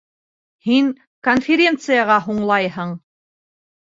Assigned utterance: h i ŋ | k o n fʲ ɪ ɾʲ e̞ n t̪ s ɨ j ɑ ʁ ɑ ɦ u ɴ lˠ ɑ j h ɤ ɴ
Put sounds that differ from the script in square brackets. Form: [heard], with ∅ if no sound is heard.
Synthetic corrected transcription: h i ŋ | k o n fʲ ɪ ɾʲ e̞ n t̪ s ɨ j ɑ ʁ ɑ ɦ u ɴ lˠ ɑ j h ɤ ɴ